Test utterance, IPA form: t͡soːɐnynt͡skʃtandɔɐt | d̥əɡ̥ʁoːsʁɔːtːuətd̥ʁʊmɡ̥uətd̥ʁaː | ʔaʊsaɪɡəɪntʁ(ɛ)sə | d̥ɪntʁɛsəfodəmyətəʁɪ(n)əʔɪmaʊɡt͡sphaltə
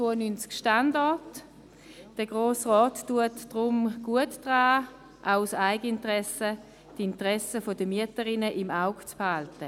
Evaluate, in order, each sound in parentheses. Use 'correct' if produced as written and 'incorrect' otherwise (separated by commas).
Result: correct, correct